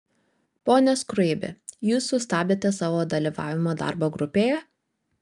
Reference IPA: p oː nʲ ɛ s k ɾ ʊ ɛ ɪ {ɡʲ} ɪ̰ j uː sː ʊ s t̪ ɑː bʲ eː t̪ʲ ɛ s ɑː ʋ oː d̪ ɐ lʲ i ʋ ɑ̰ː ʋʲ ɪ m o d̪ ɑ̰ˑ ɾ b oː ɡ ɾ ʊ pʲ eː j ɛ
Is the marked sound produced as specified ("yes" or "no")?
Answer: no